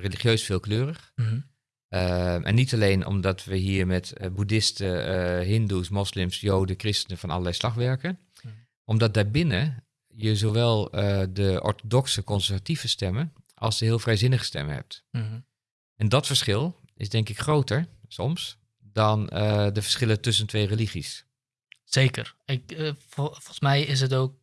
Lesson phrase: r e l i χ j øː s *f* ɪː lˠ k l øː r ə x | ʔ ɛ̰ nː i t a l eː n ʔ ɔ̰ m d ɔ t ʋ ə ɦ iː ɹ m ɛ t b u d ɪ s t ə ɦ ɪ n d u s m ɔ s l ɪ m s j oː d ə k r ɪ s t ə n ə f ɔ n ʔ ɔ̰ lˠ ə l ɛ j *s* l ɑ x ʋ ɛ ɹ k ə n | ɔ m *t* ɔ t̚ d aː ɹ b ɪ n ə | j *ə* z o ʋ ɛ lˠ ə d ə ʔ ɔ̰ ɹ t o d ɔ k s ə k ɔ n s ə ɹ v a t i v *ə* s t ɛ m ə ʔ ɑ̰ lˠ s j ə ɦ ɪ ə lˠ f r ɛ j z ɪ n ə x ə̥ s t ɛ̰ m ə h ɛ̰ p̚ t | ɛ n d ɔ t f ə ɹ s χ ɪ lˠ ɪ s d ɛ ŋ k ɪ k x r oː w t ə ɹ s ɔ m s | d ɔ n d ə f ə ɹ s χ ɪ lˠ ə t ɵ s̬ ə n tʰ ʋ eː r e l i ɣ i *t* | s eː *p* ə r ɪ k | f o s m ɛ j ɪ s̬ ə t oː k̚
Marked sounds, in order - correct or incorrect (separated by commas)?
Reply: correct, correct, incorrect, correct, correct, incorrect, incorrect